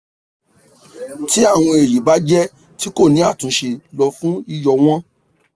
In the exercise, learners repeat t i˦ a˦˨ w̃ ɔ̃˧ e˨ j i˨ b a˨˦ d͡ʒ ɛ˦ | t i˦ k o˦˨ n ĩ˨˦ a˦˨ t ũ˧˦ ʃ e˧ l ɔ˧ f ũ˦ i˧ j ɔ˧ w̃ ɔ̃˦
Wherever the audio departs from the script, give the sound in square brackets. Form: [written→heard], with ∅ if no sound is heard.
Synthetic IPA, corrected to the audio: t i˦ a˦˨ w̃ ɔ̃˧ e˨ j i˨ b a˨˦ d͡ʒ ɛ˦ | t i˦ k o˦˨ n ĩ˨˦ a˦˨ t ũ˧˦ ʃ e˧ l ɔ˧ f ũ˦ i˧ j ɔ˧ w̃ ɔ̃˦